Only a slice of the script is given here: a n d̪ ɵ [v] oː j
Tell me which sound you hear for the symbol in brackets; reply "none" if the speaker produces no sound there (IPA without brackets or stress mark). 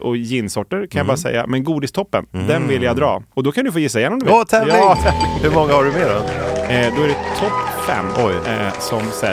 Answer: f